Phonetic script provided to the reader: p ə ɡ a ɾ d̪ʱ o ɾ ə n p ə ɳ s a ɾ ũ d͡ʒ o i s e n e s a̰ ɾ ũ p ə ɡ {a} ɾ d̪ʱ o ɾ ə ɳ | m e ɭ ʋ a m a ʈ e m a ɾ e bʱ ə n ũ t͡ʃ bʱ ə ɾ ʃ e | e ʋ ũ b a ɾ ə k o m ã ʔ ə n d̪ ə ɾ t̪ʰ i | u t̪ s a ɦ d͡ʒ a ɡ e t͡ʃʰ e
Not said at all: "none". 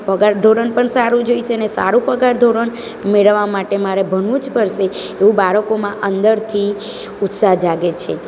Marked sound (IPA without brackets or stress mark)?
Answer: a